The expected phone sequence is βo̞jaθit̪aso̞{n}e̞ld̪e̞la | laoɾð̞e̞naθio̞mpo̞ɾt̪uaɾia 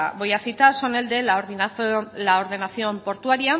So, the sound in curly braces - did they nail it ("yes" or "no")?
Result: yes